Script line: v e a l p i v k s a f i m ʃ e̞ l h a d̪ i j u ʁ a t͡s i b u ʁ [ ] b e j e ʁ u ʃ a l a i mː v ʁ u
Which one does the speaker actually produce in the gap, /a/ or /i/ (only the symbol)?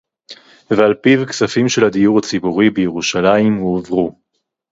i